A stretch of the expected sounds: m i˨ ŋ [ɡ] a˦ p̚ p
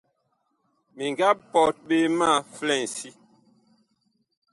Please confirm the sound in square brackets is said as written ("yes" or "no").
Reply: yes